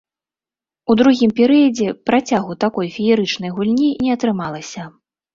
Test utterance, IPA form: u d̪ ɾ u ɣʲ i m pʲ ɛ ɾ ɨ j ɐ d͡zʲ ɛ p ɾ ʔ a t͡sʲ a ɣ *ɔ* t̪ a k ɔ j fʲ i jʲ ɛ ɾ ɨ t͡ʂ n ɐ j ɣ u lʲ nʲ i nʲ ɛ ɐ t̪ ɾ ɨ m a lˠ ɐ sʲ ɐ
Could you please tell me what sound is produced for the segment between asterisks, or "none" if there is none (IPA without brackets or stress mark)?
u